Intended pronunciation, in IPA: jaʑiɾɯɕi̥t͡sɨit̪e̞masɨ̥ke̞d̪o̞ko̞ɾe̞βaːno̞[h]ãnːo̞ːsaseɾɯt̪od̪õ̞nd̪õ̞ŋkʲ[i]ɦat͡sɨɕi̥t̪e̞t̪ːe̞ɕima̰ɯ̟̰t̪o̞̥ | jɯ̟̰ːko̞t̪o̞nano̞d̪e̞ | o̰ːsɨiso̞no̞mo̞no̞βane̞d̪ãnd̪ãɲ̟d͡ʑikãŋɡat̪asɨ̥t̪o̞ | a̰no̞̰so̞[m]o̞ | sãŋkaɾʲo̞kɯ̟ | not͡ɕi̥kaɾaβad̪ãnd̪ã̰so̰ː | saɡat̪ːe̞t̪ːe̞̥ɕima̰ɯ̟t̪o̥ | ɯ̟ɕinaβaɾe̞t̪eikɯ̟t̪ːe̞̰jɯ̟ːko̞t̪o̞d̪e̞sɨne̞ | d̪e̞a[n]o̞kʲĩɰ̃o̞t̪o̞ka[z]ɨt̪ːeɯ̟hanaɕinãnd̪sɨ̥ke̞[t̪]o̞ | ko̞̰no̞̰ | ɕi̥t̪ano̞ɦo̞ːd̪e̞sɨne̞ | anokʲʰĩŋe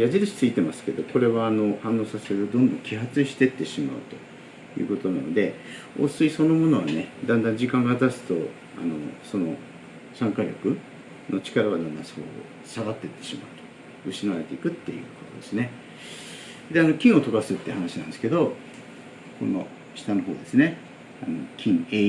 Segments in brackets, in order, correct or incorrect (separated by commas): correct, correct, incorrect, correct, incorrect, incorrect